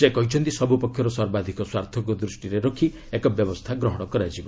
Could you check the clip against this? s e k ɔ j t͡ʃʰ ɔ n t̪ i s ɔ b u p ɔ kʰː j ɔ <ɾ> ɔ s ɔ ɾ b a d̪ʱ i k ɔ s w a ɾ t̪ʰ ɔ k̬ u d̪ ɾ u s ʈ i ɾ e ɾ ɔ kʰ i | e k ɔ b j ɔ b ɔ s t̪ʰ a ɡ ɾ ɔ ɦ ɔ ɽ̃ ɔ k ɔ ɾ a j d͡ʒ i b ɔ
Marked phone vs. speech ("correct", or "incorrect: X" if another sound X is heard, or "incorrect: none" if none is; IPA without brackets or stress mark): correct